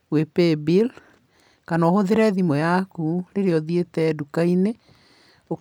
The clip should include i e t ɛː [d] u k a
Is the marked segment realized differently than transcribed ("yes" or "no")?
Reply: no